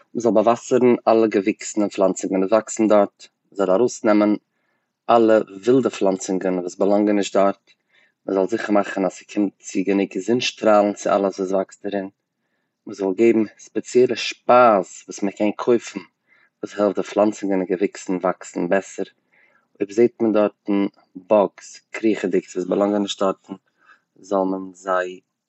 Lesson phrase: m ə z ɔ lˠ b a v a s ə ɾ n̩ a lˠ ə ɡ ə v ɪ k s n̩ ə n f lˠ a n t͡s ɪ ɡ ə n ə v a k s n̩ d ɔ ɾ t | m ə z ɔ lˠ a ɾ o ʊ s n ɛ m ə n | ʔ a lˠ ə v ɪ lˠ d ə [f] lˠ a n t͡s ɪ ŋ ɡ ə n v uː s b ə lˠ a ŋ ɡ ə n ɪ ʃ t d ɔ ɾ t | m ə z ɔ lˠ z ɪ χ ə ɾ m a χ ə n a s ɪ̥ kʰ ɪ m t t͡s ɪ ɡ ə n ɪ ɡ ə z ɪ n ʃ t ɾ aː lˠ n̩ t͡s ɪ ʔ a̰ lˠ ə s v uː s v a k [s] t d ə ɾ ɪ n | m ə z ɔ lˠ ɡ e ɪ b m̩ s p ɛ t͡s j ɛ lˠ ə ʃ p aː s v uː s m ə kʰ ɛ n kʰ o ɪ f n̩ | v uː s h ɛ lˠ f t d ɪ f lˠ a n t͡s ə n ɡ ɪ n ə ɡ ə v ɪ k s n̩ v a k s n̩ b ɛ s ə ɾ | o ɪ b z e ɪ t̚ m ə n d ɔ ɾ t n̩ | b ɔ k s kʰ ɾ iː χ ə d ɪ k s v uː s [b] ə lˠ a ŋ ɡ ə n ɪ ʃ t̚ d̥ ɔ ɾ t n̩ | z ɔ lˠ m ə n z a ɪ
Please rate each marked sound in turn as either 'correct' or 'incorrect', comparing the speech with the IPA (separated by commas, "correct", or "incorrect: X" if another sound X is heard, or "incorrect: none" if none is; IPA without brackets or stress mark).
correct, correct, correct